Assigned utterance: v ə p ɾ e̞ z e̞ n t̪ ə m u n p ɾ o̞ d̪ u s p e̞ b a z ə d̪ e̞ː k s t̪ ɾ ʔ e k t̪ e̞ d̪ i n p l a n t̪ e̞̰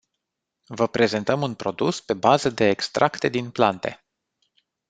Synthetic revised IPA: v ə p ɾ e̞ z e̞ n t̪ ə m u n p ɾ o̞ d̪ u s p e̞ b a z ə d̪ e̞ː k s t̪ ɾ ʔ a k t̪ e̞ d̪ i n p l a n t̪ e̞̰